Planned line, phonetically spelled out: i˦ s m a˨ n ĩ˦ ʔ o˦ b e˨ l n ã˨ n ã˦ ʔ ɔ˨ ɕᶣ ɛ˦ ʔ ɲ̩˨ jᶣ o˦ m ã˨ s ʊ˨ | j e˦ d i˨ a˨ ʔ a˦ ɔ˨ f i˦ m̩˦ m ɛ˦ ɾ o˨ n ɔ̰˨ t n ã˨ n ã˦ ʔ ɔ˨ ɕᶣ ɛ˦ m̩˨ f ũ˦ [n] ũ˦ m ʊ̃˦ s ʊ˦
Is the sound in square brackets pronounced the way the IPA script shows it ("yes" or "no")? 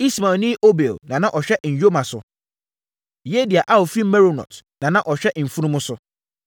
yes